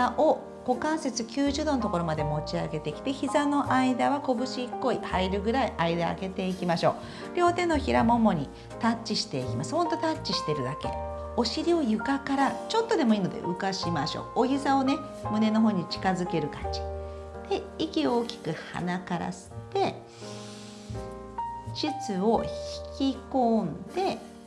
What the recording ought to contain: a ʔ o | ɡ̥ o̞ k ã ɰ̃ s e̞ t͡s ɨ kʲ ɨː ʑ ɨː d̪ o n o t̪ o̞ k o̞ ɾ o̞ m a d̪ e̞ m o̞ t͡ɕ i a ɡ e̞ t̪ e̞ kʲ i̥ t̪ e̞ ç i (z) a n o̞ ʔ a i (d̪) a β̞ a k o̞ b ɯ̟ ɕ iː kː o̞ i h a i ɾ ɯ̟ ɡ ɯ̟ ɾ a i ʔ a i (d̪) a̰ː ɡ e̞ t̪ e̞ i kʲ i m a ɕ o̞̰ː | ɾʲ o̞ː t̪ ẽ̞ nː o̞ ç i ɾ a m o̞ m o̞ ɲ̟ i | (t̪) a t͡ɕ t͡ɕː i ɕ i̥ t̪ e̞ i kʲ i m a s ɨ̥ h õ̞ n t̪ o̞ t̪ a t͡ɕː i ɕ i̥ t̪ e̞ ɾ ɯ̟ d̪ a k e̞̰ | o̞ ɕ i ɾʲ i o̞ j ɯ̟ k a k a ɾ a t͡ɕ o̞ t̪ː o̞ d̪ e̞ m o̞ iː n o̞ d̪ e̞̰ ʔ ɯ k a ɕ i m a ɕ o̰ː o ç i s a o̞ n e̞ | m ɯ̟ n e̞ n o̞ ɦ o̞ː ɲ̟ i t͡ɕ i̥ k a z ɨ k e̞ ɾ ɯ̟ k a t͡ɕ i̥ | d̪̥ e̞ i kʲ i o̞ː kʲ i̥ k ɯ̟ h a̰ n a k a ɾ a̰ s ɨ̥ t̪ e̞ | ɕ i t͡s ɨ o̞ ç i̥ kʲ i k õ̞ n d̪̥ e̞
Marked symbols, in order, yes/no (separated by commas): yes, yes, yes, yes